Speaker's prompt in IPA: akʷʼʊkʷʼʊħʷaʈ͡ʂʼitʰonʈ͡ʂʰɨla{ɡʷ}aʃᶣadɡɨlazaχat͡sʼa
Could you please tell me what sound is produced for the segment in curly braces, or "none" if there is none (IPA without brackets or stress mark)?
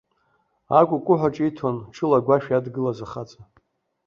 ɡʷ